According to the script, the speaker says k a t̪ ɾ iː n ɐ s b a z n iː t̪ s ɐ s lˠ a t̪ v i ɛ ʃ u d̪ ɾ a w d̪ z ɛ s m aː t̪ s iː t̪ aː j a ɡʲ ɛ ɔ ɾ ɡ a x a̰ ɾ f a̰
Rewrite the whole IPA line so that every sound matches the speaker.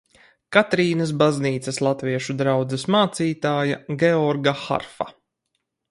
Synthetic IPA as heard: k a t̪ ɾ iː n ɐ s b a z n iː t̪ s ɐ s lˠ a t̪ v i ɛ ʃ u d̪ ɾ a w d̪ z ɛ s m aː t̪ s iː t̪ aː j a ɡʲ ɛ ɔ ɾ ɡ a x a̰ ɾ f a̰